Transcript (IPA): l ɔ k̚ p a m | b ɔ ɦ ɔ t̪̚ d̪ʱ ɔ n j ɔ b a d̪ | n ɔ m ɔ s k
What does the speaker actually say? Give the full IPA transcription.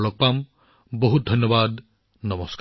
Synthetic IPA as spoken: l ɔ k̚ p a m | b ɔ ɦ u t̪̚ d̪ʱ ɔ n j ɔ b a d̪ | n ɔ m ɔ s k